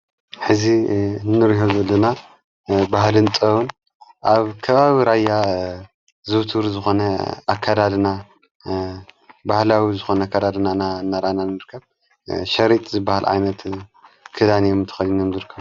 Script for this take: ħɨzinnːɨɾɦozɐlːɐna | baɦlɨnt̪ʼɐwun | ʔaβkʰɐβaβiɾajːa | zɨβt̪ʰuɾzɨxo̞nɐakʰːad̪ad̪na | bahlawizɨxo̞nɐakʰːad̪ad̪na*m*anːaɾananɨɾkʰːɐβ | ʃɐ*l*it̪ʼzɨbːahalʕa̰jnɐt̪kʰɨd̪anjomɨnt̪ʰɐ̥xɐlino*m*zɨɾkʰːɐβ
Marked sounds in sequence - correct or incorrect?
incorrect: n, incorrect: ɾ, correct

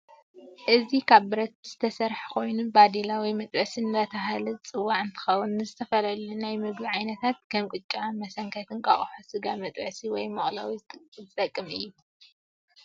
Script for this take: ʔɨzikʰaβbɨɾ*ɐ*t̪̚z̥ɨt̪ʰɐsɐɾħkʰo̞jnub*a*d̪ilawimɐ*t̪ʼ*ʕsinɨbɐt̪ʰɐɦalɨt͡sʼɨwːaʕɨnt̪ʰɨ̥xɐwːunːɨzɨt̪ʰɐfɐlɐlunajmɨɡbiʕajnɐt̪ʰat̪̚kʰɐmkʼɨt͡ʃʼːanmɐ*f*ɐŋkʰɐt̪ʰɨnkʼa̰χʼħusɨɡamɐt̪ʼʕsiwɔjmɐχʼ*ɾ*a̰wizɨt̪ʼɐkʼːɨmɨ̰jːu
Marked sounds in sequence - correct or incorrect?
correct, correct, correct, incorrect: s, incorrect: l

